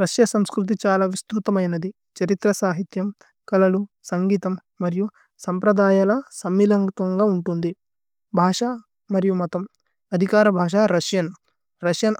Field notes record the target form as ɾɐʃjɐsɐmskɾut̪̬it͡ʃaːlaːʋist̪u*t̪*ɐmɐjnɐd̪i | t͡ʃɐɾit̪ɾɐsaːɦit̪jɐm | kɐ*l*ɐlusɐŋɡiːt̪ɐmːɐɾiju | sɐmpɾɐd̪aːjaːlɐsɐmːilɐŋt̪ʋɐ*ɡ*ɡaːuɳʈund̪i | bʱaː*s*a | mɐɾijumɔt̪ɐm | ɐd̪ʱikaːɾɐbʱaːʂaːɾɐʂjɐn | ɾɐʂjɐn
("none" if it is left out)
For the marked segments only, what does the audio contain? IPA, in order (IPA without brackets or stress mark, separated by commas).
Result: t̪, l, ŋ, ʂ